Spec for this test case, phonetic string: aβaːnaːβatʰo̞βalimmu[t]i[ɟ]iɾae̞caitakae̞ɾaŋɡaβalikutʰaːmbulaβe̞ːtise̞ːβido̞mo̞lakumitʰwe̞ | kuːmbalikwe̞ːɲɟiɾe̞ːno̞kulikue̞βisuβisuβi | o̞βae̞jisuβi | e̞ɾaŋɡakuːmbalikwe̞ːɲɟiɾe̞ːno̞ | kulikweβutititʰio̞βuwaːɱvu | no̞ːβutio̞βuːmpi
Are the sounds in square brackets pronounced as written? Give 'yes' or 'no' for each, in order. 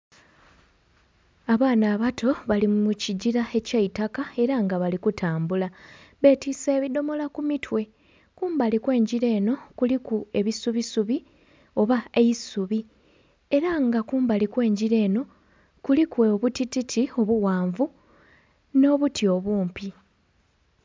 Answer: no, yes

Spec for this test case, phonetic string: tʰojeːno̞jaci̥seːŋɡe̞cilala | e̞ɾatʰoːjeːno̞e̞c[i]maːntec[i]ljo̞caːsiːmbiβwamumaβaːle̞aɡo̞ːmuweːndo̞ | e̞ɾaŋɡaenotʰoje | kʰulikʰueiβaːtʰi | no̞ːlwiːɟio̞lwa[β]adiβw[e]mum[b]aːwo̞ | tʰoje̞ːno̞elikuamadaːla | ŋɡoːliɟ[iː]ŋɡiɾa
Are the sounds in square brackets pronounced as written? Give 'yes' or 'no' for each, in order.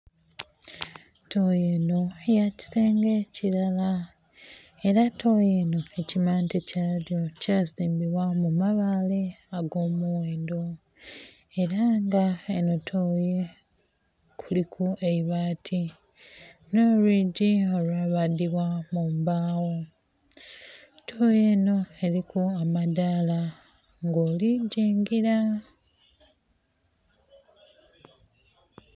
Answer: yes, no, yes, no, yes, yes

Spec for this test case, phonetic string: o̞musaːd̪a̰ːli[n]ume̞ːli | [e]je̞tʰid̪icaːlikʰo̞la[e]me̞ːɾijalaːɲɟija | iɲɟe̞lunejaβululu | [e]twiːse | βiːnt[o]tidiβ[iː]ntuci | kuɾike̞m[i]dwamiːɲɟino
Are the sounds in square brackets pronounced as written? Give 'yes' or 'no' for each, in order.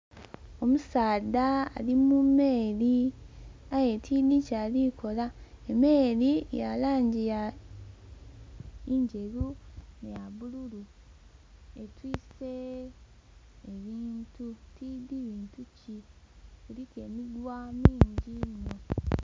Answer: no, no, yes, yes, no, yes, yes

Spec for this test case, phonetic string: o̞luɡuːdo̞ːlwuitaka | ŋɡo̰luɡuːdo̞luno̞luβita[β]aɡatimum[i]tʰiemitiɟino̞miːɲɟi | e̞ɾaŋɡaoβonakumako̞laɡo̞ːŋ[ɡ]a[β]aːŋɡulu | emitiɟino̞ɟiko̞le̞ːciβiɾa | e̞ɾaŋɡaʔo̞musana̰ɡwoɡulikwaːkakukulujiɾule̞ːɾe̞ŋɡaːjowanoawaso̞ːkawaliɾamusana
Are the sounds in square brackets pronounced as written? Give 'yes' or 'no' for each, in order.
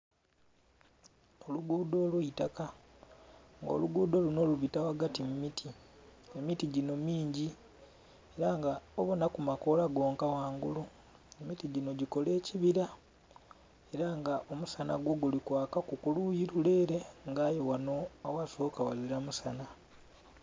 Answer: no, yes, no, no

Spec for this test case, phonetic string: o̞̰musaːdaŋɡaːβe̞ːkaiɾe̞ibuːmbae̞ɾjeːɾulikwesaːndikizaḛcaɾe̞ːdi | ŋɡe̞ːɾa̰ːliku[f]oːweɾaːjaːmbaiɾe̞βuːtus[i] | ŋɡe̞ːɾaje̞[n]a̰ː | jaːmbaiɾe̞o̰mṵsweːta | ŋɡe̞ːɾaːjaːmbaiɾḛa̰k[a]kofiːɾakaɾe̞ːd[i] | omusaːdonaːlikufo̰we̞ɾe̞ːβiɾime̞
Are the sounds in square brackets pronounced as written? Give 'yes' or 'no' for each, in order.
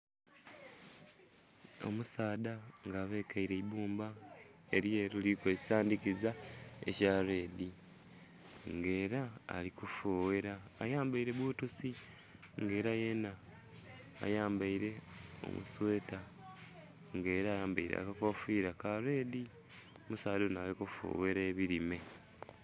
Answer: yes, yes, yes, yes, yes

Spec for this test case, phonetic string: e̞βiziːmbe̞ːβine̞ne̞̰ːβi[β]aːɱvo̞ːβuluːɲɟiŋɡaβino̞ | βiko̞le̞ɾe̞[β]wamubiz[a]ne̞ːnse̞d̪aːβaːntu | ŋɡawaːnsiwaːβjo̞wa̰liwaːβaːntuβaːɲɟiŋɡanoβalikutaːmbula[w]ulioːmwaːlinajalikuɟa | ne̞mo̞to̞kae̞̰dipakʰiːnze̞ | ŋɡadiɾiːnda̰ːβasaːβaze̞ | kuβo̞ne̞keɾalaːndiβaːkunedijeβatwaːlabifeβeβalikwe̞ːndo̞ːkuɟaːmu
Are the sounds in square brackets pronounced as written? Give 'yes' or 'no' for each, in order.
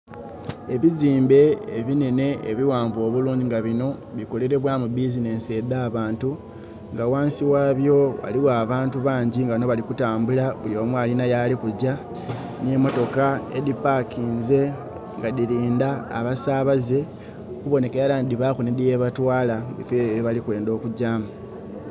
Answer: no, yes, no, no

